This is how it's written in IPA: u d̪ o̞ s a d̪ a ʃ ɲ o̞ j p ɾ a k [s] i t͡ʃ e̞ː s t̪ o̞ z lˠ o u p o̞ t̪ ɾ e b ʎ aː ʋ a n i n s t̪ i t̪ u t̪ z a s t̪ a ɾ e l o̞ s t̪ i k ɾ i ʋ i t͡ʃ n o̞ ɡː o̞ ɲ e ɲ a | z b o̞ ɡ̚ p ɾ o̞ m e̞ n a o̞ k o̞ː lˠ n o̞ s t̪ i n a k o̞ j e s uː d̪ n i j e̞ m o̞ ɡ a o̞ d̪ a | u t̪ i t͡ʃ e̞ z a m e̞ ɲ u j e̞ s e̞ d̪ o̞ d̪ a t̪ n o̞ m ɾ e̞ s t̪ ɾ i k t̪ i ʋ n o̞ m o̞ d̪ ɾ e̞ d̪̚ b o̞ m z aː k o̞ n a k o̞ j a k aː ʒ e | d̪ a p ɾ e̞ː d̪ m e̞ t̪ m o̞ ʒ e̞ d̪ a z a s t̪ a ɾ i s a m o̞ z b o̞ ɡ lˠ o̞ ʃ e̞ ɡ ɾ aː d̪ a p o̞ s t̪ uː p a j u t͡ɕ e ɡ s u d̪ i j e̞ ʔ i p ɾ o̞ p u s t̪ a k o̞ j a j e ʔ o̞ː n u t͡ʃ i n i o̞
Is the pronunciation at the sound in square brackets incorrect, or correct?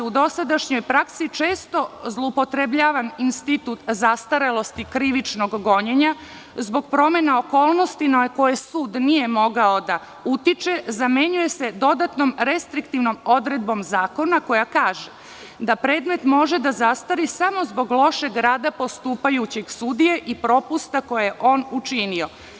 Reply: correct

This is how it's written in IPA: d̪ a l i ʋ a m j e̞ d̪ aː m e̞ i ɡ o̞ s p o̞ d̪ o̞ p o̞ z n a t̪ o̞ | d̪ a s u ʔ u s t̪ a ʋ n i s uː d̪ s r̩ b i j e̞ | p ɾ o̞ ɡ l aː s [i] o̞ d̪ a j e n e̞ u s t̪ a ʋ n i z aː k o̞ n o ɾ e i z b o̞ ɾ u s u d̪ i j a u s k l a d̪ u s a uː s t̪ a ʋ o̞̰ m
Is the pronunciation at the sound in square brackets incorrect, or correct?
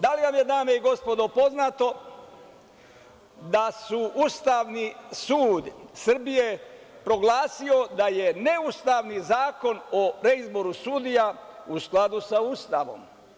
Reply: correct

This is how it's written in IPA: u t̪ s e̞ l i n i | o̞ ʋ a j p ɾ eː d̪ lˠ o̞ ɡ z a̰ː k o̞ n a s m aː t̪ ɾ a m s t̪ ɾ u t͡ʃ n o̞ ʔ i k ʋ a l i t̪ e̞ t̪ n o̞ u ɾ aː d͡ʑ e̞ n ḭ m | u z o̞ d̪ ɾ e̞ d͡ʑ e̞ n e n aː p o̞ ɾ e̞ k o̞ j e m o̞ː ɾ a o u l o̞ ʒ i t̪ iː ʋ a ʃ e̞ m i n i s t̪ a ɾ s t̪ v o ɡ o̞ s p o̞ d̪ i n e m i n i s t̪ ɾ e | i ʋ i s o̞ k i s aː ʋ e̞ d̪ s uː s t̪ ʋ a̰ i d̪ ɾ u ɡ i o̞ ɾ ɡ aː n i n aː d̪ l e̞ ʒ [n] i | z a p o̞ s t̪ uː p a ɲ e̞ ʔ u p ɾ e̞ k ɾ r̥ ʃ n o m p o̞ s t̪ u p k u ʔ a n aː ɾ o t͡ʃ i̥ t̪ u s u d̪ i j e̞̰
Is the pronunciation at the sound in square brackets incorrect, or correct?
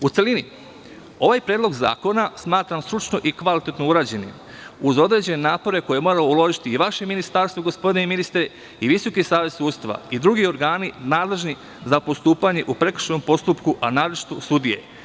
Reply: correct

